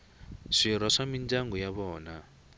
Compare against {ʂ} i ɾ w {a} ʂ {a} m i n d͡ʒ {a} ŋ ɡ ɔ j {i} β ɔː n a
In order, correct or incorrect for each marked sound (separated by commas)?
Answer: correct, correct, correct, correct, incorrect